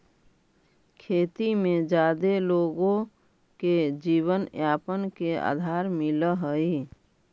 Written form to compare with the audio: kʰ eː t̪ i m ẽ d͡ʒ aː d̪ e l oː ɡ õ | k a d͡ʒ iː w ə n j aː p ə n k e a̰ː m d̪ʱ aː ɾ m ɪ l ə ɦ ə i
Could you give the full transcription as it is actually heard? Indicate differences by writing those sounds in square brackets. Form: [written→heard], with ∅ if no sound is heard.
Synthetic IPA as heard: kʰ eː t̪ i m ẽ d͡ʒ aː d̪ e l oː ɡ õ | k [a→e] d͡ʒ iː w ə n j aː p ə n k e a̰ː [m→∅] d̪ʱ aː ɾ m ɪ l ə ɦ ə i